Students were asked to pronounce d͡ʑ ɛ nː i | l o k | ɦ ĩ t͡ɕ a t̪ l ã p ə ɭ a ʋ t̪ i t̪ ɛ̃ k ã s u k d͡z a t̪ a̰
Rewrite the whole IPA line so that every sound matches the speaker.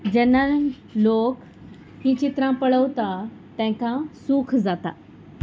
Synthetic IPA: d͡ʑ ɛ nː a | l o k | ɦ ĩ t͡ɕ i t̪ ɾ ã p ə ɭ ə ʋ t̪ a t̪ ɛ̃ k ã s u kʰ d͡z a t̪ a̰